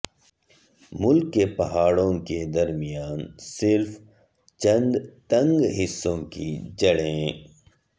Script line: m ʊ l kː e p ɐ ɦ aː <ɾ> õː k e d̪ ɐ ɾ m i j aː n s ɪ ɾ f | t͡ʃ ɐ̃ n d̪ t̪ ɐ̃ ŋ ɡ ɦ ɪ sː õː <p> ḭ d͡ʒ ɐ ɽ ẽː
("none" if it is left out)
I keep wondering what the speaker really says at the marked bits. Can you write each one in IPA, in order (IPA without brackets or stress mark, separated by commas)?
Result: ɽ, k